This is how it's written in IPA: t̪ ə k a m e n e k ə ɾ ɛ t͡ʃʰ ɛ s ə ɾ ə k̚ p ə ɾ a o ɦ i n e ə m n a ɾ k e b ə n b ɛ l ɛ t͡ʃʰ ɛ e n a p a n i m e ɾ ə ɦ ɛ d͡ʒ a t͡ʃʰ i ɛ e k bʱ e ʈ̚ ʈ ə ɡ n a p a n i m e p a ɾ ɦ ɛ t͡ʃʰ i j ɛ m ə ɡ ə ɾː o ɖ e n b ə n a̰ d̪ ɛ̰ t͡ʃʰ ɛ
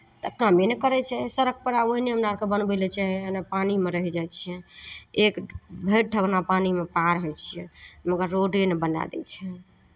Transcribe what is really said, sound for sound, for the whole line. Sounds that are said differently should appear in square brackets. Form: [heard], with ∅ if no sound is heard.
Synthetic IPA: t̪ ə k a m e n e k ə ɾ ɛ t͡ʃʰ ɛ s ə ɾ ə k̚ p ə ɾ a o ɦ i n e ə m n a ɾ k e b ə n b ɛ l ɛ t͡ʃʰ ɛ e n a p a n i m e ɾ ə ɦ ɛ d͡ʒ a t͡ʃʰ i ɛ e k bʱ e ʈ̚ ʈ ə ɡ n a p a n i m e p a ɾ ɦ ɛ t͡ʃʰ i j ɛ m ə ɡ ə ɾː o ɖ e n b ə n a̰ d̪ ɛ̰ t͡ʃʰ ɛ